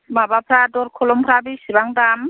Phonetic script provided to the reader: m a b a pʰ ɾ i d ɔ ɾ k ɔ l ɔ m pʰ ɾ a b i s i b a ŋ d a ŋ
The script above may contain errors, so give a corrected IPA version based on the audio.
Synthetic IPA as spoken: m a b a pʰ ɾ a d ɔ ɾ kʰ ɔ l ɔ m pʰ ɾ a b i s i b a ŋ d a m

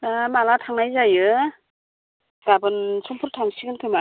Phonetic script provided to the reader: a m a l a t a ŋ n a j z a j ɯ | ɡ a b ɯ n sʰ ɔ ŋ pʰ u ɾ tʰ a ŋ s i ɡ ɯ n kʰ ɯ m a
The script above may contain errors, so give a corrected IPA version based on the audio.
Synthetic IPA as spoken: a m a l a tʰ a ŋ n a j z a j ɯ | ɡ a b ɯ n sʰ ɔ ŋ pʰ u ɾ tʰ a ŋ s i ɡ ɯ n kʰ ɯ m a

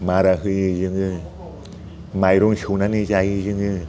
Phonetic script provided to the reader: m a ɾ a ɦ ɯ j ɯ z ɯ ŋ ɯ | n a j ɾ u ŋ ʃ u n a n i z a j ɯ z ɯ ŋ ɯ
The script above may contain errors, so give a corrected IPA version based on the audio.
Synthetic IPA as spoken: m a ɾ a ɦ ɯ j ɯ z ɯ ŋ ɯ | m a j ɾ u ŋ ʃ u n a n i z a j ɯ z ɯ ŋ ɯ

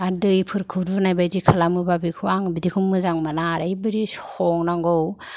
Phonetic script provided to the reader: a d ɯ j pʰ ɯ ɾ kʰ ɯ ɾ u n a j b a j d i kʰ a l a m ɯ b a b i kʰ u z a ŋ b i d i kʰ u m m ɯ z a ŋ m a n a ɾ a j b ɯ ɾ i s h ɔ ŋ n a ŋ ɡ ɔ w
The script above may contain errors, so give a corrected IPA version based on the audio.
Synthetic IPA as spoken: a d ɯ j pʰ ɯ ɾ kʰ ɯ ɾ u n a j b a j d i kʰ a l a m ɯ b a b i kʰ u a ŋ b i d i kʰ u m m ɯ z a ŋ m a n a ɾ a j b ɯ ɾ i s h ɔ ŋ n a ŋ ɡ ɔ w

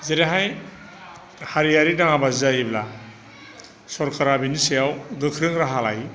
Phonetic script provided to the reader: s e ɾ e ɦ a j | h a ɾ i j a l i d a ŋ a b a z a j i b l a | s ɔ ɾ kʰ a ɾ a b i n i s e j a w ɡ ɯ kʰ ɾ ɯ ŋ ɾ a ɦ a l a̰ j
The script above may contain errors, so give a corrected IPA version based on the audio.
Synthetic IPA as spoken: z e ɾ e ɦ a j | h a ɾ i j a ɾ i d a ŋ a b a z a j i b l a | s ɔ ɾ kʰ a ɾ a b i n i s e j a w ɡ ɯ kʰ ɾ ɯ ŋ ɾ a ɦ a l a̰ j

